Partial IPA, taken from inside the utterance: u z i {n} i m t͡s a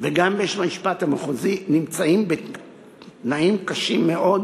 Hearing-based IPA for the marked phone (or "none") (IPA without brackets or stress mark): n